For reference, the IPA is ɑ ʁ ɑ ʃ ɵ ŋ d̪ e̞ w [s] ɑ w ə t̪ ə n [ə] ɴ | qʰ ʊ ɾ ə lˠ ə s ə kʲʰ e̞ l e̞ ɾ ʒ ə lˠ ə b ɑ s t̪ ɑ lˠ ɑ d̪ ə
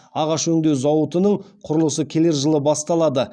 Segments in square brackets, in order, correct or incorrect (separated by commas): incorrect, correct